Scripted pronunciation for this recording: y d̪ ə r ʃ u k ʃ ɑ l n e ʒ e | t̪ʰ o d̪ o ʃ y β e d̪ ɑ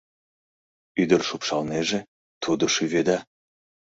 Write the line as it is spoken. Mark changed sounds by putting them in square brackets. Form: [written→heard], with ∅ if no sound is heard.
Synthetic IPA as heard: y d̪ ə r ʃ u [k→p] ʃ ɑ l n e ʒ e | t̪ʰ [o→u] d̪ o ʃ y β e d̪ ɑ